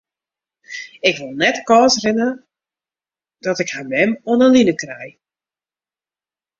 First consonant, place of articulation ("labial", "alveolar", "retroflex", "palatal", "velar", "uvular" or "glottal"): velar